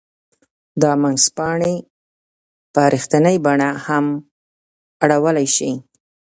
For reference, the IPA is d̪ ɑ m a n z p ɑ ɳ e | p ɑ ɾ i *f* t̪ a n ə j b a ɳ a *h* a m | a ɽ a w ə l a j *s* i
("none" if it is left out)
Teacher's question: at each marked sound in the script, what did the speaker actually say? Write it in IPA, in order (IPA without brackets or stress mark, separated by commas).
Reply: x, h, ʃ